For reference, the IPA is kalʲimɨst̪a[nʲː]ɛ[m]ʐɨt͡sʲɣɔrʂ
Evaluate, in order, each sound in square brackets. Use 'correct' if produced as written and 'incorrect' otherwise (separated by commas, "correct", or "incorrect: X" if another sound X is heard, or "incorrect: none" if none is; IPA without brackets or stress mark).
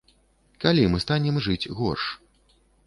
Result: incorrect: nʲ, correct